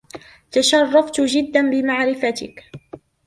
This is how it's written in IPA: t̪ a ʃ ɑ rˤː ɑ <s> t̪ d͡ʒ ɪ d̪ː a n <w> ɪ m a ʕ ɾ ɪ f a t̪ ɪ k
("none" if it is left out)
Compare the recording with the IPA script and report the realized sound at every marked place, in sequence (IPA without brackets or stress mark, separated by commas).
f, b